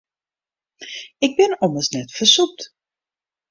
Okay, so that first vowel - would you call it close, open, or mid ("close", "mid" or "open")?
close